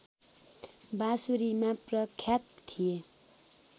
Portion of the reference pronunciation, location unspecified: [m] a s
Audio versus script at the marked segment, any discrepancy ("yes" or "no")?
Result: yes